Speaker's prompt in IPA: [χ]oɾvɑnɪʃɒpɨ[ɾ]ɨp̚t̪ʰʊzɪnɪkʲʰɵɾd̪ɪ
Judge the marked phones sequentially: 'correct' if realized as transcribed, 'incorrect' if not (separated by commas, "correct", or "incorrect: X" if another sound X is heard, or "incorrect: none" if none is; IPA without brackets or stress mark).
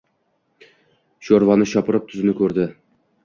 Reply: incorrect: ʃ, correct